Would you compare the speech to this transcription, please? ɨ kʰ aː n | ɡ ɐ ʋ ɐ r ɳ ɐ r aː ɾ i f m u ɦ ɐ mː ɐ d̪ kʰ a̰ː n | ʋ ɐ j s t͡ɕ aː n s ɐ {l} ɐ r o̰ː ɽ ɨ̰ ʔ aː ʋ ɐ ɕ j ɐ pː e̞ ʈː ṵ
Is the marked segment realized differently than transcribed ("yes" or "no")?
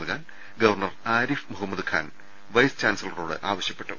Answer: no